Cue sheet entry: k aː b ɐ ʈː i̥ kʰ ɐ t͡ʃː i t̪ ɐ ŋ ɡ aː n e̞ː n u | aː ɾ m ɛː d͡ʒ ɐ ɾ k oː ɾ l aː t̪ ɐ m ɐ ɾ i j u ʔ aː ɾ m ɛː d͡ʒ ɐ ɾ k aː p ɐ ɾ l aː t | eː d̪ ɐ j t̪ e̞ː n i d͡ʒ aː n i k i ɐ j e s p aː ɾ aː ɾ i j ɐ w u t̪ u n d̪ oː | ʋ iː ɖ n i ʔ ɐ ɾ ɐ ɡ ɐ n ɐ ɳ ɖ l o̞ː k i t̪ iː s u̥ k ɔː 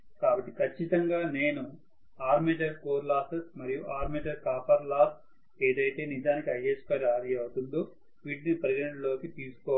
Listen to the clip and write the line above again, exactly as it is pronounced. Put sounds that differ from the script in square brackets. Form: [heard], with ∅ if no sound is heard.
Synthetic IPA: k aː b ɐ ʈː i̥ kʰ ɐ t͡ʃː i t̪ ɐ ŋ ɡ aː n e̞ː n u | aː ɾ m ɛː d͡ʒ ɐ ɾ k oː ɾ l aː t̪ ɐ m ɐ ɾ i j u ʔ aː ɾ m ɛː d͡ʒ ɐ ɾ k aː p ɐ ɾ l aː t | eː d̪ ɐ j t̪ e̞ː n i d͡ʒ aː n i k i ɐ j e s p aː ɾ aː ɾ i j ɐ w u t̪ u n d̪ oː | ʋ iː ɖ n i [p] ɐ ɾ ɐ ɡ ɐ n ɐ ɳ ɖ l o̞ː k i t̪ iː s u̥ k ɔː

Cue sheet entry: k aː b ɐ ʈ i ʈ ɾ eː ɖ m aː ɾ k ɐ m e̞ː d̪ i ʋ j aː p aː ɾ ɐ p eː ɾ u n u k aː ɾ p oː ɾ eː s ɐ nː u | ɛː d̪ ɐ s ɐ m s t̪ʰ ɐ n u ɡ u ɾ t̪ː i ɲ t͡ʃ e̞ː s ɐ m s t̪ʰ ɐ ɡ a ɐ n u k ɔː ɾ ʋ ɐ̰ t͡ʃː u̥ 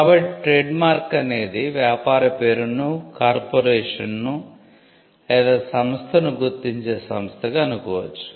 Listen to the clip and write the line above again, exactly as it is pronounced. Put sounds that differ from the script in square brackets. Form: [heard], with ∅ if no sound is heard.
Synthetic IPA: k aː b ɐ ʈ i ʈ ɾ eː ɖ m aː ɾ k ɐ [n] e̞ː d̪ i ʋ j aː p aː ɾ ɐ p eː ɾ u n u k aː ɾ p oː ɾ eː [ʂ] ɐ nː u | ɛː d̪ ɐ s ɐ m s t̪ʰ ɐ n u ɡ u ɾ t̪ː i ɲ t͡ʃ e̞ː s ɐ m s t̪ʰ ɐ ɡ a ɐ n u k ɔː [∅] ʋ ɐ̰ t͡ʃː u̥

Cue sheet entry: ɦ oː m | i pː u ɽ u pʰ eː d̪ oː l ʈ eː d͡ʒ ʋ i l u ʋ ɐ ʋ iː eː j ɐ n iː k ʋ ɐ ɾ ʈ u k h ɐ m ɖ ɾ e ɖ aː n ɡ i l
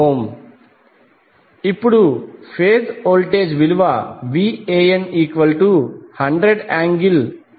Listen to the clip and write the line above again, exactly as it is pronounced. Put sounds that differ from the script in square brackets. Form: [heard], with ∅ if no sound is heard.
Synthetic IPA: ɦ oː m | i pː u ɽ u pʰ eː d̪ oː l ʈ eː d͡ʒ ʋ i l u ʋ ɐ ʋ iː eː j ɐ n iː k ʋ ɐ [l] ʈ u [∅] h ɐ [ɳ] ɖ ɾ e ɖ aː [ŋ] ɡ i l

